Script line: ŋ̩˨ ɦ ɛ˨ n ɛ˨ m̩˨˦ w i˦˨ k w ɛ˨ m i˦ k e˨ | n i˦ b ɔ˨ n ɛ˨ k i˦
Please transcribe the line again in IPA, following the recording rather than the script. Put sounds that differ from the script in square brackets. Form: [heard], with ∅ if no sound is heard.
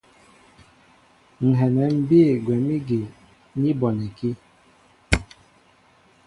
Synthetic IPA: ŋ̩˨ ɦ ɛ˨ n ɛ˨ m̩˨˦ [b] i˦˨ [ɡ] w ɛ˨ m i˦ [ɡ] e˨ | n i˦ b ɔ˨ n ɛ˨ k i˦